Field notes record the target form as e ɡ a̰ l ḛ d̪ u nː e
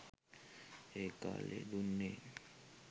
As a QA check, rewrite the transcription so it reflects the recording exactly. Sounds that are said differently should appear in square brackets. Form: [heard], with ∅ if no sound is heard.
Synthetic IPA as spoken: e [k] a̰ l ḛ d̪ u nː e